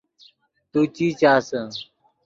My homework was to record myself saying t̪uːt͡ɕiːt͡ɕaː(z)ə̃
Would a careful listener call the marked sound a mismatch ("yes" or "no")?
yes